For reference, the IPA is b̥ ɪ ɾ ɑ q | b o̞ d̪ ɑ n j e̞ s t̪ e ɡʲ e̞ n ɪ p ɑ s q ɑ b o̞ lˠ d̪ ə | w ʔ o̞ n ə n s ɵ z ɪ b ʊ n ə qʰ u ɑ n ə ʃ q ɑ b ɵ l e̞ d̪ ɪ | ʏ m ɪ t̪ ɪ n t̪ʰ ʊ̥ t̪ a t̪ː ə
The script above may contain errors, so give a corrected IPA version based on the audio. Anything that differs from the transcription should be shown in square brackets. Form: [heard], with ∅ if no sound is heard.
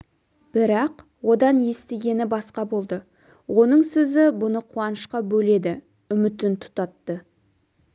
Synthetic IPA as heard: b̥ ɪ ɾ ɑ q | [w] o̞ d̪ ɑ n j e̞ s t̪ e ɡʲ e̞ n ɪ [b] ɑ s q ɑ b o̞ lˠ d̪ ə | w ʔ o̞ n ə [ɴ] s ɵ z ɪ b ʊ n ə qʰ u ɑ n ə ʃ q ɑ b ɵ l e̞ d̪ ɪ | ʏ m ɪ t̪ ɪ n t̪ʰ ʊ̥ t̪ [ɑ] t̪ː ə

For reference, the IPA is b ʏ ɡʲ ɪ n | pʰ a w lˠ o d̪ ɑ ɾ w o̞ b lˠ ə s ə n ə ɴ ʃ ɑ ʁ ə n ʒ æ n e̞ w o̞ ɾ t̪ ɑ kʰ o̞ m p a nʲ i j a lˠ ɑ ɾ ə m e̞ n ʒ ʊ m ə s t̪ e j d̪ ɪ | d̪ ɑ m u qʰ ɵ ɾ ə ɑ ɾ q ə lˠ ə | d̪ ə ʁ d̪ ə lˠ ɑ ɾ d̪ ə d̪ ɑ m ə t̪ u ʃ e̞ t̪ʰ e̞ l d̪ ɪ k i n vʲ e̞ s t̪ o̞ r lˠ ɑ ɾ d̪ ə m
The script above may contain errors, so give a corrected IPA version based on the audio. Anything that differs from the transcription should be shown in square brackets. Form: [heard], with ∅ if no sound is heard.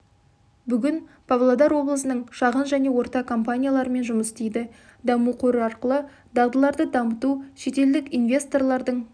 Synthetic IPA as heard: b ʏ ɡʲ ɪ n | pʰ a [v] lˠ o d̪ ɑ ɾ w o̞ b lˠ ə s ə n ə ɴ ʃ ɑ ʁ ə n ʒ æ n e̞ w o̞ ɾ t̪ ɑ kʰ o̞ m p a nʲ i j a lˠ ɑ ɾ ə m e̞ n ʒ ʊ m ə s t̪ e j d̪ ɪ | d̪ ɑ m u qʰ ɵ ɾ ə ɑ ɾ q ə lˠ ə | d̪ [ɑ] ʁ d̪ ə lˠ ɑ ɾ d̪ ə d̪ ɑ m ə t̪ u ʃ e̞ [t̪] e̞ l d̪ ɪ k i n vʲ e̞ s t̪ o̞ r lˠ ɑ ɾ d̪ ə [ɴ]

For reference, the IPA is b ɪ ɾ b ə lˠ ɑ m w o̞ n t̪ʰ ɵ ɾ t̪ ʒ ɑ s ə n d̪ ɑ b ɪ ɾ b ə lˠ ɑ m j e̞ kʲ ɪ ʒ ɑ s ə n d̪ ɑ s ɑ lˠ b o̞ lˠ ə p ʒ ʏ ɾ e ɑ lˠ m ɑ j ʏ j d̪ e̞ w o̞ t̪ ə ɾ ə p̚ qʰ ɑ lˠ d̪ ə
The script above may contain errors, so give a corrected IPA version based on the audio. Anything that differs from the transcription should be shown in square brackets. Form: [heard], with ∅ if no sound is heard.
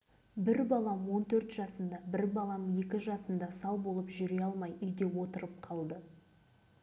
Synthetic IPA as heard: b ɪ ɾ b [ɑ] lˠ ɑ m w o̞ n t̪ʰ ɵ ɾ t̪ ʒ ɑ s ə n d̪ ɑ b ɪ ɾ b [ɑ] lˠ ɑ m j e̞ kʲ ɪ ʒ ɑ s ə n d̪ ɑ s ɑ lˠ b o̞ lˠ ə p ʒ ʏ ɾ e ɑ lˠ m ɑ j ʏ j d̪ e̞ w o̞ t̪ ə ɾ ə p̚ qʰ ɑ lˠ d̪ ə

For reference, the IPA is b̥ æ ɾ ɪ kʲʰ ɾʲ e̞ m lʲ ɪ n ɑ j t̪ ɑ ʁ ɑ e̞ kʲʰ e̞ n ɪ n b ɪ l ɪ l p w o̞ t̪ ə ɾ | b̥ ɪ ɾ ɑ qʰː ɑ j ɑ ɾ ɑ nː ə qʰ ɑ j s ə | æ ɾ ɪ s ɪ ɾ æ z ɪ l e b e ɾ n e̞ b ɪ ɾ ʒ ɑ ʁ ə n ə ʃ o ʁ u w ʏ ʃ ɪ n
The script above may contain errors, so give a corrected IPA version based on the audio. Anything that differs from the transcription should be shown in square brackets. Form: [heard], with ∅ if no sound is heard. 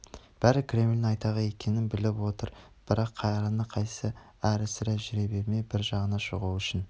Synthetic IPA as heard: b̥ æ ɾ ɪ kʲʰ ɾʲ e̞ m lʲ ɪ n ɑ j t̪ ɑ ʁ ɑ e̞ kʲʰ e̞ n ɪ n b ɪ l ɪ [∅] p w o̞ t̪ ə ɾ | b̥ ɪ ɾ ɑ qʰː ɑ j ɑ ɾ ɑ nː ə qʰ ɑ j s ə | æ ɾ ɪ s ɪ ɾ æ [ʒ] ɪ [ɾ] e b e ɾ [m] e̞ b ɪ ɾ ʒ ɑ ʁ ə n [ɑ] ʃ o ʁ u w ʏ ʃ ɪ n

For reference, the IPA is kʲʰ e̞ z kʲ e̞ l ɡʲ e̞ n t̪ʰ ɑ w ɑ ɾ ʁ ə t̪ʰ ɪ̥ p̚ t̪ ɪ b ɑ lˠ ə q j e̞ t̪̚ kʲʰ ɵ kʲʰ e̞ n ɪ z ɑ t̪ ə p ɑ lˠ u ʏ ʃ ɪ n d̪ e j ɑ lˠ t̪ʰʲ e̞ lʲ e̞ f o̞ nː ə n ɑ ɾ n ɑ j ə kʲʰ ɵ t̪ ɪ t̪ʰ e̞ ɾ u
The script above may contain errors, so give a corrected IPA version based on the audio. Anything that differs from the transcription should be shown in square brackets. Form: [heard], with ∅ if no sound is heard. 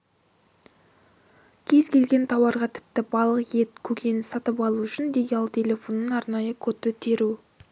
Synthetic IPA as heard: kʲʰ e̞ z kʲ e̞ l ɡʲ e̞ n t̪ʰ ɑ w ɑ ɾ ʁ [ɑ] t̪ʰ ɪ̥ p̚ t̪ ɪ b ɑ lˠ ə q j e̞ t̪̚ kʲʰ ɵ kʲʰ e̞ n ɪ [s] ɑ t̪ ə p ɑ lˠ u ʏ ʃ ɪ n d̪ e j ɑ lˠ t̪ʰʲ e̞ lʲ e̞ f o̞ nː ə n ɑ ɾ n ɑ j ə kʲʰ ɵ t̪ ɪ t̪ʰ e̞ ɾ u

